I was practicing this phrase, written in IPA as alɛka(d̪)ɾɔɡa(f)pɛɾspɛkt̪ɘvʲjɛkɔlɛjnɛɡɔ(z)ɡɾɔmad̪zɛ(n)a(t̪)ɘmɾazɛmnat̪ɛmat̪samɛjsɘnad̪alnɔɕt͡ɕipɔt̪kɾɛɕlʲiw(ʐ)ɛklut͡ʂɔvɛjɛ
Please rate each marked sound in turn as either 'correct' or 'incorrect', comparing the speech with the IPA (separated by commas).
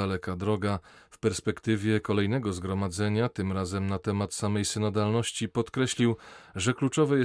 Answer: correct, correct, correct, incorrect, correct, correct